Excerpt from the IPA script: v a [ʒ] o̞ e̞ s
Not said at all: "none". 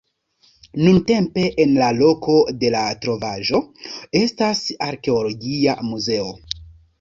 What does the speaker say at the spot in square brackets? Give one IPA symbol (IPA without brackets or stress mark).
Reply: ʒ